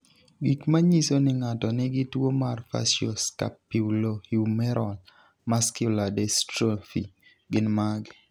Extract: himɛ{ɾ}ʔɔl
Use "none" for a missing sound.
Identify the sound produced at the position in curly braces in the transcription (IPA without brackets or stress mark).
ɾ